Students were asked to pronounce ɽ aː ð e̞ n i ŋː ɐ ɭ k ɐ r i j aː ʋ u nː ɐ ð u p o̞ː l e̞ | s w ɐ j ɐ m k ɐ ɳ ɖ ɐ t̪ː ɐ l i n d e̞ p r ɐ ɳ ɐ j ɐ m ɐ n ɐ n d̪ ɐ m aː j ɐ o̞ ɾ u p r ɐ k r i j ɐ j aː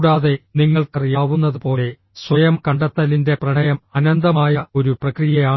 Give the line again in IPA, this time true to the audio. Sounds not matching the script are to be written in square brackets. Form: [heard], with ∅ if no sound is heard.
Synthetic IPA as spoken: ɽ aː ð e̞ n i ŋː ɐ ɭ k ɐ r i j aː ʋ u nː ɐ ð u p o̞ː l e̞ | s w ɐ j ɐ m k ɐ ɳ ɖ ɐ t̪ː ɐ l i n d e̞ p r ɐ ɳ ɐ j ɐ m ɐ n ɐ n d̪ ɐ m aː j ɐ o̞ ɾ u p r ɐ k r i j ɐ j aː